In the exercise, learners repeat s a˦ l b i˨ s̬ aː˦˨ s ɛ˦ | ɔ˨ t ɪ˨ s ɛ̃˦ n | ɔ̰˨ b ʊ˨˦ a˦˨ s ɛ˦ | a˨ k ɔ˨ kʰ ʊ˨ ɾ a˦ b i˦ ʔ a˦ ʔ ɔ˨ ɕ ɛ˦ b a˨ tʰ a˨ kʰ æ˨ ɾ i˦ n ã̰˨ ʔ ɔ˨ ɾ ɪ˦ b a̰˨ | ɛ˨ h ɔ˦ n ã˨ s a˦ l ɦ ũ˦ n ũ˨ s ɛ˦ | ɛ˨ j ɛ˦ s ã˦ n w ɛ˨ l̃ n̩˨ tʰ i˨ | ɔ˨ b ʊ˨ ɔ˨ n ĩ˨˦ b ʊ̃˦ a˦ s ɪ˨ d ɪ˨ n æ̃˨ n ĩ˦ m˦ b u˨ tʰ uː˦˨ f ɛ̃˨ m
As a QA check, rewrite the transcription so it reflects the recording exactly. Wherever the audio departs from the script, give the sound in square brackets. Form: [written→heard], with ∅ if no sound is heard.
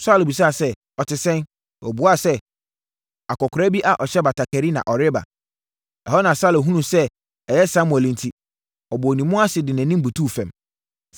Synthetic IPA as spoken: s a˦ l b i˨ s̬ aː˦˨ s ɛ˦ | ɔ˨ t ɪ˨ s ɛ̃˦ n | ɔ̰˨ b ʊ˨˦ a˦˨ s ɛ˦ | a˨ k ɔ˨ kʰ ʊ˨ ɾ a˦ b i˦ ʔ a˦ ʔ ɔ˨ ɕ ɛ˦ b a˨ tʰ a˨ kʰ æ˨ ɾ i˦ n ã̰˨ ʔ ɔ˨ ɾ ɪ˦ b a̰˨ | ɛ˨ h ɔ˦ n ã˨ s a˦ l ɦ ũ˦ n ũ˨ s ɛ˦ | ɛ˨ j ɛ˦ s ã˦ [n→m] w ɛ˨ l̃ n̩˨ tʰ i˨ | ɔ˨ b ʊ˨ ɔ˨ n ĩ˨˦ [b→m] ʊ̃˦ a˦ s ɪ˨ d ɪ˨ n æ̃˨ n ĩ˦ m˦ b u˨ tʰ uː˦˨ f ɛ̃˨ m